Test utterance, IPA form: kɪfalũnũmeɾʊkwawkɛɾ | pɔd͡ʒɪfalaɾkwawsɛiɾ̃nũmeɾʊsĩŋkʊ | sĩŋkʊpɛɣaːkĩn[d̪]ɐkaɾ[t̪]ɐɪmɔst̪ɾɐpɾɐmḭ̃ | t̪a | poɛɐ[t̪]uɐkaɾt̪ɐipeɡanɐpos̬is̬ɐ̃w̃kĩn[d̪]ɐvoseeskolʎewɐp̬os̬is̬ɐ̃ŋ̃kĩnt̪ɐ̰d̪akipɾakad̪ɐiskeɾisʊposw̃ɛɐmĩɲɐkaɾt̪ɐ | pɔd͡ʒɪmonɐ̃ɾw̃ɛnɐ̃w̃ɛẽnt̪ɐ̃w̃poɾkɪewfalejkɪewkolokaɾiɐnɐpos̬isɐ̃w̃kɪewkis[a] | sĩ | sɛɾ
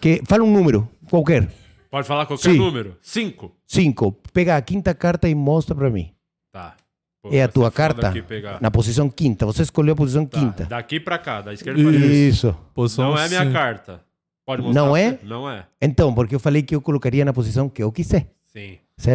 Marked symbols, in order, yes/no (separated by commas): no, yes, yes, no, no